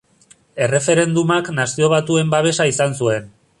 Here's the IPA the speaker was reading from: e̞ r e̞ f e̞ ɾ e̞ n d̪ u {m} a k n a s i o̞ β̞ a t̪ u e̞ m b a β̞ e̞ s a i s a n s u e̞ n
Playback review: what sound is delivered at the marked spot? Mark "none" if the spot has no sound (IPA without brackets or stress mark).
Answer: m